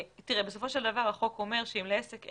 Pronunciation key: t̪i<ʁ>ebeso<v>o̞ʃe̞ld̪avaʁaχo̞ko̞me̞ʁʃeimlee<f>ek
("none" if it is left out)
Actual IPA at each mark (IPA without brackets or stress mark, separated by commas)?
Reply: ʁ, f, s